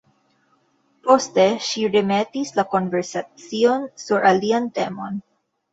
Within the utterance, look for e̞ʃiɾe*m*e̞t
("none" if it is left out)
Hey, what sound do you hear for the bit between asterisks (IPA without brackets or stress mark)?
m